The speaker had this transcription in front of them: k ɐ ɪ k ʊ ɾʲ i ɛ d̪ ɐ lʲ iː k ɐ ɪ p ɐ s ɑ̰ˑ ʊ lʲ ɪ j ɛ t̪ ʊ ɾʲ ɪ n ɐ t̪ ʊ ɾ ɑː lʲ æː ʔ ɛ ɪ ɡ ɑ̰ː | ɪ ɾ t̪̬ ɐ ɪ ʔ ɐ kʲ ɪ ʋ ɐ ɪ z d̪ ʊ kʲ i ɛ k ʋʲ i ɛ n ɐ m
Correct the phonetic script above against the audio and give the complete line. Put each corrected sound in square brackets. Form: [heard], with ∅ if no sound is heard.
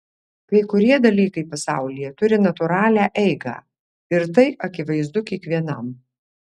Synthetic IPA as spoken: k ɐ ɪ k ʊ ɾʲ i ɛ d̪ ɐ lʲ iː k ɐ ɪ p ɐ s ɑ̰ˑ ʊ lʲ ɪ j ɛ t̪ ʊ ɾʲ ɪ n ɐ t̪ ʊ ɾ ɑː lʲ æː ʔ ɛ ɪ ɡ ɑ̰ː | ɪ ɾ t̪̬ ɐ ɪ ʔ ɐ kʲ ɪ ʋ ɐ ɪ z d̪ ʊ kʲ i ɛ k ʋʲ i ɛ n ɐ m

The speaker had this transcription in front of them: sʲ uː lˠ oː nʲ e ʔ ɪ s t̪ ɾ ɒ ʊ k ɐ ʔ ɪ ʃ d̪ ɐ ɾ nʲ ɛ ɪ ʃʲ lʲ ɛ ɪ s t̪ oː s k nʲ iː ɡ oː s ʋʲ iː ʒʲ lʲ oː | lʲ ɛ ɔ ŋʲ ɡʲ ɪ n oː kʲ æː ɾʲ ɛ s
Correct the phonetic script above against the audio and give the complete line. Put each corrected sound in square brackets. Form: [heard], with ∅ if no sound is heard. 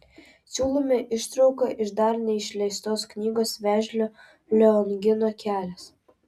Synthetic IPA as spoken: sʲ uː lˠ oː [mʲ] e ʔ ɪ [ʃ] t̪ ɾ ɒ ʊ k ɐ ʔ ɪ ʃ d̪ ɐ ɾ nʲ ɛ ɪ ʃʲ lʲ ɛ ɪ s t̪ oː s k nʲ iː ɡ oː s ʋʲ [æː] ʒʲ lʲ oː | lʲ ɛ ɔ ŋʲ ɡʲ ɪ n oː kʲ æː [lʲ] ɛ s

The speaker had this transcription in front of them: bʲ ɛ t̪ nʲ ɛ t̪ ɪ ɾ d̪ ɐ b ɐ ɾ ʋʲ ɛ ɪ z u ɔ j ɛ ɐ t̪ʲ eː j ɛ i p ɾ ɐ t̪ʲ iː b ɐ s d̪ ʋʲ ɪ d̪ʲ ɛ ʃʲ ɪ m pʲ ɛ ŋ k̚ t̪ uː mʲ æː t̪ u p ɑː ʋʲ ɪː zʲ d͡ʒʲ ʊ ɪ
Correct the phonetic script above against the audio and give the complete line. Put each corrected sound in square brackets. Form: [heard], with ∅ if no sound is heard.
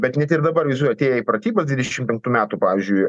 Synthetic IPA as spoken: bʲ ɛ t̪ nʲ ɛ t̪ ɪ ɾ d̪ ɐ b ɐ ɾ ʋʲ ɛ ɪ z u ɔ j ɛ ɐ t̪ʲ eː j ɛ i p ɾ ɐ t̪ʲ iː b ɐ s d̪ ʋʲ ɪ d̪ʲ ɛ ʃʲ ɪ m pʲ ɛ ŋ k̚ t̪ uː mʲ æː t̪ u p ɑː ʋʲ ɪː zʲ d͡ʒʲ ʊ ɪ

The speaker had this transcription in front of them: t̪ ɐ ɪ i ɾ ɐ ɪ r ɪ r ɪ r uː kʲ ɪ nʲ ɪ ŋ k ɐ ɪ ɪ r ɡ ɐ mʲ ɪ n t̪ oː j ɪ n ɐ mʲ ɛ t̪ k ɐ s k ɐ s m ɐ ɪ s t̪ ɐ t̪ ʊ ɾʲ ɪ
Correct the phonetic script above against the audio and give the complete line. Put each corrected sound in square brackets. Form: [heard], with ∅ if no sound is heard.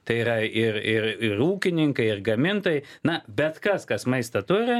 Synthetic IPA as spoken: t̪ ɐ ɪ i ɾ ɐ ɪ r ɪ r ɪ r uː kʲ ɪ nʲ ɪ ŋ k ɐ ɪ ɪ r ɡ ɐ mʲ ɪ n t̪ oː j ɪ n ɐ [bʲ] ɛ t̪ k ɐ s k ɐ s m ɐ ɪ s t̪ ɐ t̪ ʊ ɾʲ ɪ

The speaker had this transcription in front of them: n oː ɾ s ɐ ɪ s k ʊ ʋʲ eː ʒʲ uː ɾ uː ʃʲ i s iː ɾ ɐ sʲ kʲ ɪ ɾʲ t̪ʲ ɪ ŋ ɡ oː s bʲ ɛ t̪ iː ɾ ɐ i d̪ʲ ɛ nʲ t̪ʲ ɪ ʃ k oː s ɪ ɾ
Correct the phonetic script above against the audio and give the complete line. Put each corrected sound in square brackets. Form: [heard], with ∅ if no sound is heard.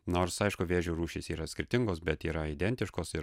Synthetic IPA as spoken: n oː ɾ s ɐ ɪ [ʃ] k ʊ ʋʲ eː ʒʲ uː ɾ uː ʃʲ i s iː ɾ ɐ sʲ kʲ ɪ ɾʲ t̪ʲ ɪ ŋ ɡ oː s bʲ ɛ t̪ iː ɾ ɐ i d̪ʲ ɛ nʲ t̪ʲ ɪ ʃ k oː s ɪ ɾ

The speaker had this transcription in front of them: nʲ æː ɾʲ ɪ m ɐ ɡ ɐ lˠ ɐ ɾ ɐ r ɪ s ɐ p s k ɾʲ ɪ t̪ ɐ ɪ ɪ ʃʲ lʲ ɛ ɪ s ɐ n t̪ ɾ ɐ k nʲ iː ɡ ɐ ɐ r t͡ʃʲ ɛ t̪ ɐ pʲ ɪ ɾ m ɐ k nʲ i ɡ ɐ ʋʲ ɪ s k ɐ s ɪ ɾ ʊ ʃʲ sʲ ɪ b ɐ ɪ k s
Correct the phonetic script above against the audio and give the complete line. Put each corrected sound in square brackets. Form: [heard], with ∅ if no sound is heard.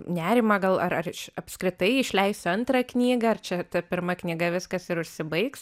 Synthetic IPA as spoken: nʲ æː ɾʲ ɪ m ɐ ɡ ɐ lˠ ɐ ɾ ɐ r ɪ [ʃ] ɐ p s k ɾʲ ɪ t̪ ɐ ɪ ɪ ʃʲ lʲ ɛ ɪ s ɐ n t̪ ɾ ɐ k nʲ iː ɡ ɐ ɐ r t͡ʃʲ ɛ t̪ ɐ pʲ ɪ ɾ m ɐ k nʲ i ɡ ɐ ʋʲ ɪ s k ɐ s ɪ ɾ ʊ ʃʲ sʲ ɪ b ɐ ɪ k s

